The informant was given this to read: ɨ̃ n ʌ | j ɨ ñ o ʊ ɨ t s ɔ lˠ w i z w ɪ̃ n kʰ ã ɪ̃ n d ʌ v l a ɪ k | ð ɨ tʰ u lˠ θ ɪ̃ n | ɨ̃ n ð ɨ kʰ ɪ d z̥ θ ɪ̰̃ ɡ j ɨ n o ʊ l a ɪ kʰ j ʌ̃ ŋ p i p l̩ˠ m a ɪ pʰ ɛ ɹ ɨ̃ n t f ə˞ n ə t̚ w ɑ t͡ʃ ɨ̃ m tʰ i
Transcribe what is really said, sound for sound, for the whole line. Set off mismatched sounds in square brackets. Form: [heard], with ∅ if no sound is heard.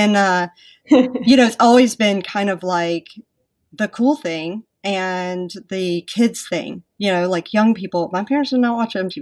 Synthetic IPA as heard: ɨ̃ n ʌ | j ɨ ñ o ʊ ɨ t s ɔ lˠ w i z [b] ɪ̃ n kʰ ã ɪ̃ n d ʌ v l a ɪ k | ð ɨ [kʰ] u lˠ θ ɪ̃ [ŋ] | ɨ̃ n ð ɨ kʰ ɪ d z̥ θ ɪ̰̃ [ŋ] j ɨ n o ʊ l a ɪ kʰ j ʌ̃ ŋ p i p l̩ˠ m a ɪ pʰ ɛ ɹ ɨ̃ n t [s] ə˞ n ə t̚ w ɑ t͡ʃ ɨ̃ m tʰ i